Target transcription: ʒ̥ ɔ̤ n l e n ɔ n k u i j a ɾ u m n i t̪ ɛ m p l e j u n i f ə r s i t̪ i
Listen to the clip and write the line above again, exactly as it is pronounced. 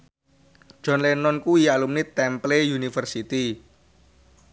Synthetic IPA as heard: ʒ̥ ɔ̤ n l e n ɔ n k u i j a l u m n i t̪ ɛ m p l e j u n i f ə r s i t̪ i